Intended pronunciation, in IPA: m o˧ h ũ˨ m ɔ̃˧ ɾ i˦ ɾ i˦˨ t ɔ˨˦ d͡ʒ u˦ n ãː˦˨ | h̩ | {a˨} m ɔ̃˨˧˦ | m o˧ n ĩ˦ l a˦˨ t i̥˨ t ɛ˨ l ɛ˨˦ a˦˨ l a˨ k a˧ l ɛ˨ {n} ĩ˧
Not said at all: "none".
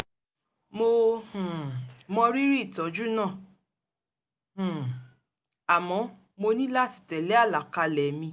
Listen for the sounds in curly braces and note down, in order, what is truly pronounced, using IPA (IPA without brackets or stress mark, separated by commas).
a˨, m